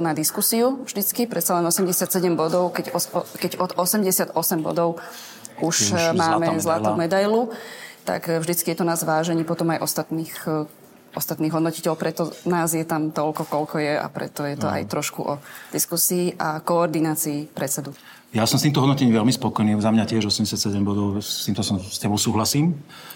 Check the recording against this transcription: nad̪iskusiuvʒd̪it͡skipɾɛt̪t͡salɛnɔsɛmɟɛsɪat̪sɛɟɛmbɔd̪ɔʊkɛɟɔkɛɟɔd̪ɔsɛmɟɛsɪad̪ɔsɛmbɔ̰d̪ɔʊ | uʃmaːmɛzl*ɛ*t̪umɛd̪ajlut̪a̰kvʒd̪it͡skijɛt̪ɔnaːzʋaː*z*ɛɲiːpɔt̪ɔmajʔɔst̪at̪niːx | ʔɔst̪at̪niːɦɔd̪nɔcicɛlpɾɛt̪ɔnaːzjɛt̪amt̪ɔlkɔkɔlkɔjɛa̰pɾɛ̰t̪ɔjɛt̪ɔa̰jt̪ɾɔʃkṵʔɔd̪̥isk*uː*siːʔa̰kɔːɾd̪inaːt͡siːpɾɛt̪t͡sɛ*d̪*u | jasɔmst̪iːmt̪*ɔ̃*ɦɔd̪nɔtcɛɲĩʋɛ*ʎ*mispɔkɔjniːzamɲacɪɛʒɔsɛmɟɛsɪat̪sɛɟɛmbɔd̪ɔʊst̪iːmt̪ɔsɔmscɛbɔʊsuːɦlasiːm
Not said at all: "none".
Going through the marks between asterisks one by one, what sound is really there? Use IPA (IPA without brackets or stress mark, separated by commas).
a, ʒ, u, d̪, ɔ, l